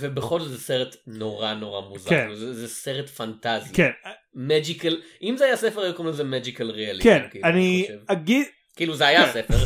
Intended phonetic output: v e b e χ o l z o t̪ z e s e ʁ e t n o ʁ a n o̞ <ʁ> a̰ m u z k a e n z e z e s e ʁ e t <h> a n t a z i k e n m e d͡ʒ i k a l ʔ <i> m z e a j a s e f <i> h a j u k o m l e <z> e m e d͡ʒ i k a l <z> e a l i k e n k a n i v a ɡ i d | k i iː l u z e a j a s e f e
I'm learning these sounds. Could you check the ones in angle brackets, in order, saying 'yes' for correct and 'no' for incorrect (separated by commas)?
yes, no, yes, no, yes, no